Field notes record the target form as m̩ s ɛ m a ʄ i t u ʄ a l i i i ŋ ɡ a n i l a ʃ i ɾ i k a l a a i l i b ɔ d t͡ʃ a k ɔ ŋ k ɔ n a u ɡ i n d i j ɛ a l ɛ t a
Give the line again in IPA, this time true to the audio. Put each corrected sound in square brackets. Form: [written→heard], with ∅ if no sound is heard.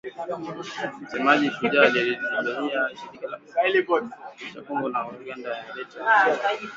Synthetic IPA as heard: m̩ s ɛ m a ʄ i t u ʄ a l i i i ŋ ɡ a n i [l→∅] a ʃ i ɾ i k a l a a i l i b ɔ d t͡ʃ a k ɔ ŋ [k→ɡ] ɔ n a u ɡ [i→a] n d [i→a] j [ɛ→a] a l ɛ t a

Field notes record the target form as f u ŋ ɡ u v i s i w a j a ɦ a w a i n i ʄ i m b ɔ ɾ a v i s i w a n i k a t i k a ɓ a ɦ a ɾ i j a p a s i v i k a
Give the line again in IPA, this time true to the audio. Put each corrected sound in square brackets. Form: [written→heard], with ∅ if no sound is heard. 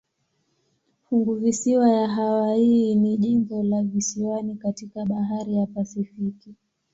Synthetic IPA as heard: f u ŋ ɡ u v i s i w a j a ɦ a w a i n i ʄ i m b ɔ [ɾ→l] a v i s i w a n i k a t i k a ɓ a ɦ a ɾ i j a p a s i [v→f] i k [a→i]

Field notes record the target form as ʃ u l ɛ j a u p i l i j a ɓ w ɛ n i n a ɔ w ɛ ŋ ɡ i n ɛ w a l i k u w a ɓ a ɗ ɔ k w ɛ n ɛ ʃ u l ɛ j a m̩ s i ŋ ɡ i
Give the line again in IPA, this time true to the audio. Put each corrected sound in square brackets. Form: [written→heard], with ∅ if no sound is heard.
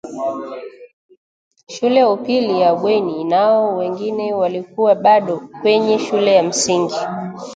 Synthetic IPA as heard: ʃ u l ɛ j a u p i l i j a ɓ w ɛ n i n a ɔ w ɛ ŋ ɡ i n ɛ w a l i k u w a ɓ a ɗ ɔ k w ɛ [n→ɲ] ɛ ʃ u l ɛ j a m̩ s i ŋ ɡ i

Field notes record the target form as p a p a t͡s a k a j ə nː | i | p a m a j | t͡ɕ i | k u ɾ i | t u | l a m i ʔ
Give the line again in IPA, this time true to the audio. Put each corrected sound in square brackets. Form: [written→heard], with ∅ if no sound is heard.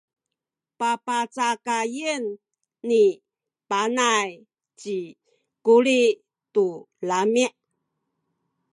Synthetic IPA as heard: p a p a t͡s a k a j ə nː | i | p a [m→n] a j | t͡ɕ i | k u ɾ i | t u | l a m i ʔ

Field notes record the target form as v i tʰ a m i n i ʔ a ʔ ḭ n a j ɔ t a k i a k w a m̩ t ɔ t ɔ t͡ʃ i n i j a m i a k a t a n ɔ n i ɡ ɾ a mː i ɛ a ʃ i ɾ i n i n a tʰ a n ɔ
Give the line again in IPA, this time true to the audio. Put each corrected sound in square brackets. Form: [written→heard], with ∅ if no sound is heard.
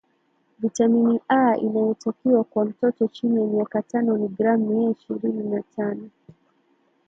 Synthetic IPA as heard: v i [tʰ→t] a m i n i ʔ a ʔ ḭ n a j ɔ t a k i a k w a m̩ t ɔ t ɔ t͡ʃ i n i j a m i a k a t a n ɔ n i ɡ ɾ a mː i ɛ [a→i] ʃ i ɾ i n i n a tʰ a n ɔ

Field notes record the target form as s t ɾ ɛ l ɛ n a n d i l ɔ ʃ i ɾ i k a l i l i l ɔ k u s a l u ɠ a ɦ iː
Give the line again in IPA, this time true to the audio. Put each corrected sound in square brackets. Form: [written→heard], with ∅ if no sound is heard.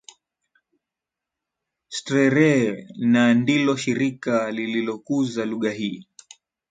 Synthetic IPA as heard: s t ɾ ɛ [l→ɾ] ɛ n a n d i l ɔ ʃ i ɾ i k a l i l i l ɔ k u [s→z] a l u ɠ a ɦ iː

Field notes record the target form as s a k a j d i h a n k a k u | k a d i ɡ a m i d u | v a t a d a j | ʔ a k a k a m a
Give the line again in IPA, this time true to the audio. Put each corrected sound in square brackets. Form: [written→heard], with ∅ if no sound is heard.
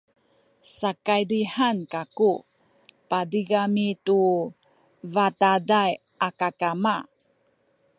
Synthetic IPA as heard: s a k a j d i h a n k a k u | [k→p] a d i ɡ a m i [d→t] u | v a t a d a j | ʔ a k a k a m a

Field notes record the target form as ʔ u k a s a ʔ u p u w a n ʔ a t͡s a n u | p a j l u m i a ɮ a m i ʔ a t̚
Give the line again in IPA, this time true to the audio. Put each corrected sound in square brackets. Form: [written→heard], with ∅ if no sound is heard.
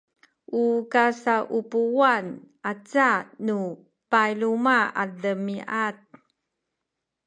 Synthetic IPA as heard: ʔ u k a s a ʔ u p u w a n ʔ a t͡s a n u | p a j l u m [i→a] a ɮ [a→ə] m i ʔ a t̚

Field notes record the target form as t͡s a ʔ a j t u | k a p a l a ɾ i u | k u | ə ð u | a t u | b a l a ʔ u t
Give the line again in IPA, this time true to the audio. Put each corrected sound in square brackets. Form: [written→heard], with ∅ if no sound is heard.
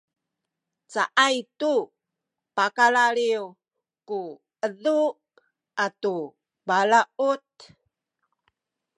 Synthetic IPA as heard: t͡s a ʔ a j t u | [k→p] a [p→k] a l a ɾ i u | k u | ə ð u | a t u | b a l a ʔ u t

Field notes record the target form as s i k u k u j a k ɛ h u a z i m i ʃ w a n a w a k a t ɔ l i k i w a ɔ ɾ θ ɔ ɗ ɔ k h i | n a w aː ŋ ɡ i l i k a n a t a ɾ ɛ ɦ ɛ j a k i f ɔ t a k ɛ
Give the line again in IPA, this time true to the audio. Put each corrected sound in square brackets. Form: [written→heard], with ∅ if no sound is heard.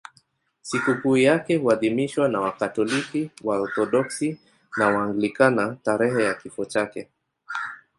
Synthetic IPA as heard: s i k u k u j a k ɛ h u a [z→ð] i m i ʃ w a n a w a k a t ɔ l i k i w a ɔ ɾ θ ɔ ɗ ɔ k [h→s] i | n a w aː ŋ ɡ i l i k a n a t a ɾ ɛ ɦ ɛ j a k i f ɔ [t→t͡ʃ] a k ɛ

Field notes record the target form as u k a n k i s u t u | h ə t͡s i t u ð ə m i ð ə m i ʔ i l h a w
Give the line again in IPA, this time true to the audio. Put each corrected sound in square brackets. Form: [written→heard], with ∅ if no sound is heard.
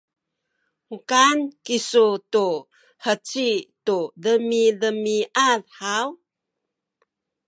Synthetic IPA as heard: u k a n k i s u t u | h ə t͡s i t u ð ə m i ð ə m i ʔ [i→a] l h a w

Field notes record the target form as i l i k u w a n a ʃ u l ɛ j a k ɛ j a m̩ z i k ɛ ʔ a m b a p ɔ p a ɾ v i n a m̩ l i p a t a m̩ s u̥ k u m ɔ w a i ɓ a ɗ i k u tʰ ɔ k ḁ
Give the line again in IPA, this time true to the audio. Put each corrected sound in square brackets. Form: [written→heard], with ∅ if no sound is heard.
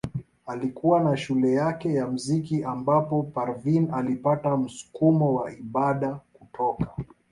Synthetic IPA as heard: [i→a] l i k u w a n a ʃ u l ɛ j a k ɛ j a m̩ z i k [ɛ→i] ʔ a m b a p ɔ p a ɾ v i n a [m̩→∅] l i p a t a m̩ s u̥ k u m ɔ w a i ɓ a ɗ [i→a] k u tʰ ɔ k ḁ

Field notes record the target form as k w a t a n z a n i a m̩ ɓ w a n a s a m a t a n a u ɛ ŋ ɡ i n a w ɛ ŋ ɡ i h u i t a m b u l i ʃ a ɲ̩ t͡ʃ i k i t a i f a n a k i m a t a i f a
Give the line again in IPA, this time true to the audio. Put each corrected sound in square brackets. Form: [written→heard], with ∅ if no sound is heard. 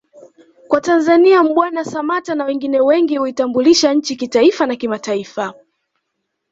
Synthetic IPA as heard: k w a t a n z a n i a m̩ ɓ w a n a s a m a t a n a [u→w] ɛ ŋ ɡ i n [a→ɛ] w ɛ ŋ ɡ i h u i t a m b u l i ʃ a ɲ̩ t͡ʃ i k i t a i f a n a k i m a t a i f a

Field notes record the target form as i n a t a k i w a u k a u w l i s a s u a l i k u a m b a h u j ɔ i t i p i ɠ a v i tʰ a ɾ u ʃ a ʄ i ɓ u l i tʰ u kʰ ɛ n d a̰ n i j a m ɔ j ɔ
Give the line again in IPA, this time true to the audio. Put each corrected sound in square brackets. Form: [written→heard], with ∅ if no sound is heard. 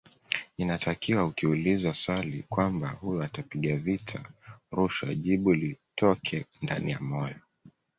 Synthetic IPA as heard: i n a t a k i w a u k [a→i] u [w→∅] l i [s→z] a s [u→w] a l i k [u→w] a m b a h u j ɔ [i→a] t [i→a] p i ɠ a v i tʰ a ɾ u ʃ a ʄ i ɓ u l i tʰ [u→ɔ] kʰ ɛ n d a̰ n i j a m ɔ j ɔ

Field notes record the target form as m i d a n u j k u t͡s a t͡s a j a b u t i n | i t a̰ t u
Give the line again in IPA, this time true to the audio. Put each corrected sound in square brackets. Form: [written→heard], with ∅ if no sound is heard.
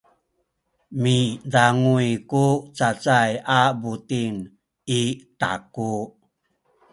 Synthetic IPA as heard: m i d a [n→ŋ] u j k u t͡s a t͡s a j a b u t i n | i t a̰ [t→k] u

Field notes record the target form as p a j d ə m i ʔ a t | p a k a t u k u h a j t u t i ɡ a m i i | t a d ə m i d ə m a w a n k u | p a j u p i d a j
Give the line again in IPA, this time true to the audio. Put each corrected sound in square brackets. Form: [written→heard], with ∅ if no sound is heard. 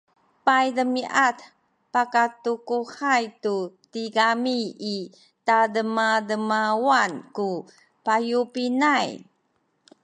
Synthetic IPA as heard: p a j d ə m i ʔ a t | p a k a t u k u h a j t u t i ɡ a m i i | t a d ə m [i→a] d ə m a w a n k u | p a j u p i [d→n] a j

